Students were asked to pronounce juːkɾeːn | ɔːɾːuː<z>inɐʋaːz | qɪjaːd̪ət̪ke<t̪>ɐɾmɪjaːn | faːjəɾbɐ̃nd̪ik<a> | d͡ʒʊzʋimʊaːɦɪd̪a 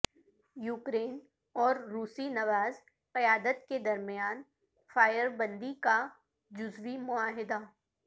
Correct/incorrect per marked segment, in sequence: incorrect, incorrect, correct

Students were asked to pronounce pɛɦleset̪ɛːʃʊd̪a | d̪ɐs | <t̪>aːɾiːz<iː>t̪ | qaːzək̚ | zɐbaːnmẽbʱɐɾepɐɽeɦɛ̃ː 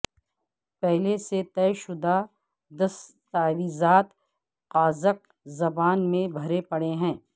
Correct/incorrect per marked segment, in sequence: correct, incorrect

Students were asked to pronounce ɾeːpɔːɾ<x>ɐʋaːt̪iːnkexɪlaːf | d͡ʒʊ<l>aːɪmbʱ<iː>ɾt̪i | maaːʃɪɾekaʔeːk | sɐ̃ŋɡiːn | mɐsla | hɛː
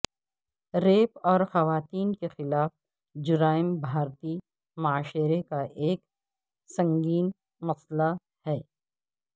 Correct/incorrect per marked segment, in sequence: correct, incorrect, incorrect

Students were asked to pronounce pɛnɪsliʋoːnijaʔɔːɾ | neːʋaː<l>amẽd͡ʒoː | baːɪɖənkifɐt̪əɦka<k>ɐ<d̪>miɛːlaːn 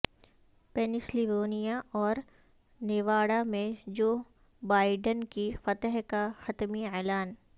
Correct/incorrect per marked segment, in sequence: incorrect, incorrect, incorrect

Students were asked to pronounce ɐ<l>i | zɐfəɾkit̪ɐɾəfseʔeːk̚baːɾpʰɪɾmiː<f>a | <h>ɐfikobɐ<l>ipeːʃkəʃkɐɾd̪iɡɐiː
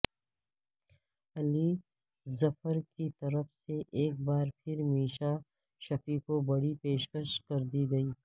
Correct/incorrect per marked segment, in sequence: correct, incorrect, incorrect, incorrect

